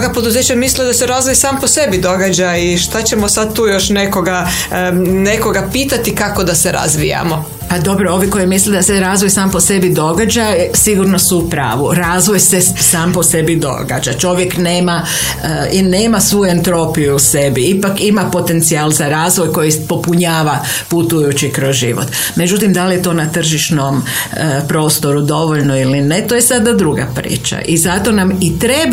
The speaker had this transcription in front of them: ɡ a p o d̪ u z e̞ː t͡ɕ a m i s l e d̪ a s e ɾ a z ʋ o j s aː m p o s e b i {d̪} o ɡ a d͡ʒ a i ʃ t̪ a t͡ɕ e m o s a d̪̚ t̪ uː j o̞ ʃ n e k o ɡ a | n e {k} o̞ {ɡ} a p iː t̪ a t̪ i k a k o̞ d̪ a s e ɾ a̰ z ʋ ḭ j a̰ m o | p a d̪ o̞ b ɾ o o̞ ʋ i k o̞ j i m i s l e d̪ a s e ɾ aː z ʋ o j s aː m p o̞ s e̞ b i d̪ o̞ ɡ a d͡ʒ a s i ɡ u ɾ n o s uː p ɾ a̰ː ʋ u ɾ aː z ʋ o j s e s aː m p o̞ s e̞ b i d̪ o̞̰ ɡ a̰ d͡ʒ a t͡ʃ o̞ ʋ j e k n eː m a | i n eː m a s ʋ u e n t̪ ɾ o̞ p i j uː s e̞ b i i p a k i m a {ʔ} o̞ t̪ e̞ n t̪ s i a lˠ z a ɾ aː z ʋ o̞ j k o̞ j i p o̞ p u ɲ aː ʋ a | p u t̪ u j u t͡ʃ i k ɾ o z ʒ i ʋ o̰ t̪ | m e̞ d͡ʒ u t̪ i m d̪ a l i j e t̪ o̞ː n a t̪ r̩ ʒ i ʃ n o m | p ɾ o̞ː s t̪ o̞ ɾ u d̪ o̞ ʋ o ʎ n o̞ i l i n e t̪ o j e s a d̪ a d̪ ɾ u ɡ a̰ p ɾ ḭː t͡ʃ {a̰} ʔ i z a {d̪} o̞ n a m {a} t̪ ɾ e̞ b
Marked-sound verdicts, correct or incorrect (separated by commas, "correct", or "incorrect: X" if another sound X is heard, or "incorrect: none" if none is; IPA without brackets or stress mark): correct, correct, correct, incorrect: p, correct, incorrect: t̪, incorrect: i